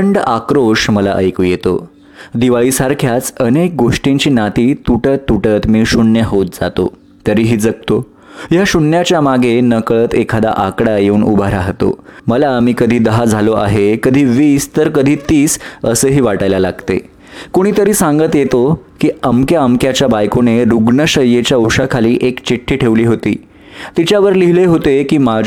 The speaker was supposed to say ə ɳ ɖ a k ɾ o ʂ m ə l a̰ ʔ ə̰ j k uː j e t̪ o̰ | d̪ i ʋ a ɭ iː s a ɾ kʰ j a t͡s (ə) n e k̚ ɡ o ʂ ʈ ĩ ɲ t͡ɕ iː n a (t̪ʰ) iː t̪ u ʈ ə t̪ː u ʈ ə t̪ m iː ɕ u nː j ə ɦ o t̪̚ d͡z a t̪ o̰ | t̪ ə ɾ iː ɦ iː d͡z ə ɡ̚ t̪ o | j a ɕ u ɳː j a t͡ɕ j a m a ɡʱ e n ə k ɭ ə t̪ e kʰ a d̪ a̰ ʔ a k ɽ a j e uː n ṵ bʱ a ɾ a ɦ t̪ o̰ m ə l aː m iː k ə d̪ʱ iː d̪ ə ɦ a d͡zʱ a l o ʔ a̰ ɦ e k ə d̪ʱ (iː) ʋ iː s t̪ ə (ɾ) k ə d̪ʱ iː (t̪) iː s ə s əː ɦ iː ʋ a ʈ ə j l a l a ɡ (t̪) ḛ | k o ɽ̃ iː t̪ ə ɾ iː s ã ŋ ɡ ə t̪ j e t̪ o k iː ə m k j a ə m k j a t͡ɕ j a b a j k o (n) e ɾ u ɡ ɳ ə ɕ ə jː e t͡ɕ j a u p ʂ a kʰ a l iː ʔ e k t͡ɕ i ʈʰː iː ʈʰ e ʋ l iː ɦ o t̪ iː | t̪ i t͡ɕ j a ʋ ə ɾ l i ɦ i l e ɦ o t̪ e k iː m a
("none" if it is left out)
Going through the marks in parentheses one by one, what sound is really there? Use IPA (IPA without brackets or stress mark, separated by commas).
ə, t̪, iː, ɾ, t̪, t̪, n